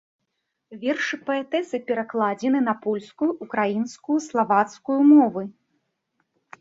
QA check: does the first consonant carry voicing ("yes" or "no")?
yes